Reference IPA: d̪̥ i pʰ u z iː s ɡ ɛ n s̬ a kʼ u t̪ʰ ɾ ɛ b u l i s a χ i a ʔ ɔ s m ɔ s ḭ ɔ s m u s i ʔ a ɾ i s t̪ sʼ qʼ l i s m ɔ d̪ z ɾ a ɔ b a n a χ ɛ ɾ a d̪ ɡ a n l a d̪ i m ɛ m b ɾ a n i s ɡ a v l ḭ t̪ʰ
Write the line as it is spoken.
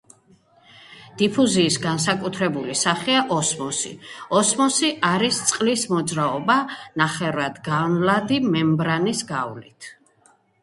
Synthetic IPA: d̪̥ i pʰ u z iː s ɡ a n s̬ a kʼ u t̪ʰ ɾ ɛ b u l i s a χ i a ʔ ɔ s m ɔ s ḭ ɔ s m ɔ s i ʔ a ɾ i s t̪ sʼ qʼ l i s m ɔ d̪ z ɾ a ɔ b a n a χ ɛ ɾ a d̪ ɡ a n l a d̪ i m ɛ m b ɾ a n i s ɡ a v l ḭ t̪ʰ